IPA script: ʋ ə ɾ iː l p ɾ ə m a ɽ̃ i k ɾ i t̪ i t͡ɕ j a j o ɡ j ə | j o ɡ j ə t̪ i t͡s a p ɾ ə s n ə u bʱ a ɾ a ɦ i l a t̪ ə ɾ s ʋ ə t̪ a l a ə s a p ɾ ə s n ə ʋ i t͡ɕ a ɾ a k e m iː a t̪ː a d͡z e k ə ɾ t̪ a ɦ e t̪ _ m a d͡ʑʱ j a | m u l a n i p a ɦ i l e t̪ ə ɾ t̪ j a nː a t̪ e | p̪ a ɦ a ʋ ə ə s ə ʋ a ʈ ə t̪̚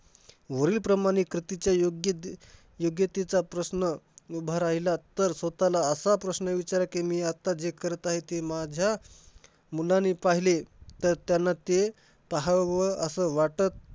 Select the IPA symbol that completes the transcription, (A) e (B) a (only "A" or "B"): A